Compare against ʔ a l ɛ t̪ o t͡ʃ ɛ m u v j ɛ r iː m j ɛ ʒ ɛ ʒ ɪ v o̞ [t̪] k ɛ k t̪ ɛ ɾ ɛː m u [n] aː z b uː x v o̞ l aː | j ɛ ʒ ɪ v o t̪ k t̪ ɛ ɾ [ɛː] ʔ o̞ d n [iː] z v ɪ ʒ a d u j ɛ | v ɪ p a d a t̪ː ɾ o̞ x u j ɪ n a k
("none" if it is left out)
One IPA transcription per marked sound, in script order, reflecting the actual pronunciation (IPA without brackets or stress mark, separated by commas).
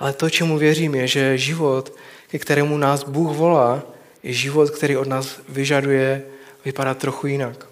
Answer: t̪, n, iː, aː